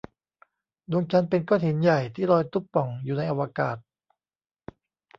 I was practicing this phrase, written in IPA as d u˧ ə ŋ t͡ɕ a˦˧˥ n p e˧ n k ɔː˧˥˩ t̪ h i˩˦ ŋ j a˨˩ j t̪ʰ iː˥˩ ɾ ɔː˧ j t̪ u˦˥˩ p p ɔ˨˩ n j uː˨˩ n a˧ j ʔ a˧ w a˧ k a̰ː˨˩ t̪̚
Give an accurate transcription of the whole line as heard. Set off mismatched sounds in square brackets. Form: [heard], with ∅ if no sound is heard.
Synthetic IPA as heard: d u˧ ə ŋ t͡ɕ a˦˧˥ n p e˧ n k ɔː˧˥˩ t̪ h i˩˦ [n] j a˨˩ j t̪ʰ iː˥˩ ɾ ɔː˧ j t̪ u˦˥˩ p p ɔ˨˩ [ŋ] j uː˨˩ n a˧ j ʔ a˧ w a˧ k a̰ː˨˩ t̪̚